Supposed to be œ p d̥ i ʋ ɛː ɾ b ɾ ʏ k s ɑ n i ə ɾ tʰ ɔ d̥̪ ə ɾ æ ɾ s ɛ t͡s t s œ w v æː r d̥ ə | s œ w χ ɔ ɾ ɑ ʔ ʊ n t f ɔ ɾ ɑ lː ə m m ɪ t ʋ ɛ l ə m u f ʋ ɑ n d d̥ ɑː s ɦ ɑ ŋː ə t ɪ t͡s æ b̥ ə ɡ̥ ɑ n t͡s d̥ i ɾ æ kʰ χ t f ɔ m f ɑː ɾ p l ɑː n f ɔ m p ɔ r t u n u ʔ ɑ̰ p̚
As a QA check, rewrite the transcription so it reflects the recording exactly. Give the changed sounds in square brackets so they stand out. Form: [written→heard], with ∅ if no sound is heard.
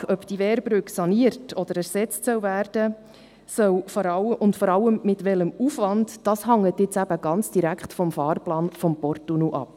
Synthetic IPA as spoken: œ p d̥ i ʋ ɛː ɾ b ɾ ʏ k s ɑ n i ə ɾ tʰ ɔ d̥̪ ə ɾ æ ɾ s ɛ t͡s t s œ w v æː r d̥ ə | s œ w [χ→f] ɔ ɾ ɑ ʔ ʊ n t f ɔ ɾ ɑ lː ə m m ɪ t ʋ ɛ l ə m u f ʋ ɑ n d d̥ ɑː s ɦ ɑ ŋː ə t ɪ t͡s æ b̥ ə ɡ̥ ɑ n t͡s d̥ i ɾ æ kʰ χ t f ɔ m f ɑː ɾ p l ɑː n f ɔ m p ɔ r t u n u ʔ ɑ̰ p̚